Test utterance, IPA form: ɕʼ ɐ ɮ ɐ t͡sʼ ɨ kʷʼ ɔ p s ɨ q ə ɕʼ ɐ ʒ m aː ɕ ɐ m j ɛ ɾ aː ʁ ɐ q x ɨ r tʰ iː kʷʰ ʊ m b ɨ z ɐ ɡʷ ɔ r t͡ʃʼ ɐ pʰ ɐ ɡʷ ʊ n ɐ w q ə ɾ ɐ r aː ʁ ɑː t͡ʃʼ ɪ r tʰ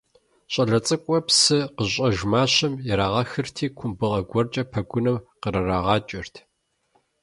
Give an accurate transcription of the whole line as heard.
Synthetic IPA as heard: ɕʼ ɐ ɮ ɐ t͡sʼ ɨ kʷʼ ɔ p s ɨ q ə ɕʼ ɐ ʒ m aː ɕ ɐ m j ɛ ɾ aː ʁ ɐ x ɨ r tʰ iː kʷʰ ʊ m b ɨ ʁ ɐ ɡʷ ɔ r t͡ʃʼ ɐ pʰ ɐ ɡʷ ʊ n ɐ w q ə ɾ ɐ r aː ʁ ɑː t͡ʃʼ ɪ r tʰ